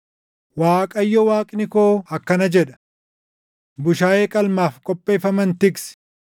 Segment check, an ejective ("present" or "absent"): present